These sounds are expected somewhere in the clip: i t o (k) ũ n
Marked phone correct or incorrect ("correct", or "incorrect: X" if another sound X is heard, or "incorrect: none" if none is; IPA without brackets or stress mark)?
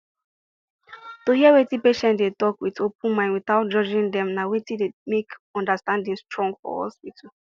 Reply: incorrect: p